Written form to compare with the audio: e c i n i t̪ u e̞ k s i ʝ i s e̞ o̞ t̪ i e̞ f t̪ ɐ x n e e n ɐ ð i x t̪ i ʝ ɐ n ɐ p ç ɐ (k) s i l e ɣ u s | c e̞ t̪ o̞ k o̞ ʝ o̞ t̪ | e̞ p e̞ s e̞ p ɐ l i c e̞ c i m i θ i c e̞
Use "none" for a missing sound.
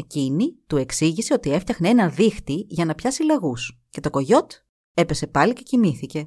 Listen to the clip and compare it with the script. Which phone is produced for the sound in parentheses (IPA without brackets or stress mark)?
none